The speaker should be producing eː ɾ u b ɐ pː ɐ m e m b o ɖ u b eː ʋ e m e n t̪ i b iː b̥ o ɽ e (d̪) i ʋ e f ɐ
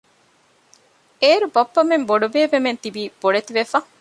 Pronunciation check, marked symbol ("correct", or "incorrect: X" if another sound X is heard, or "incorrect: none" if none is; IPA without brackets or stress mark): incorrect: t̪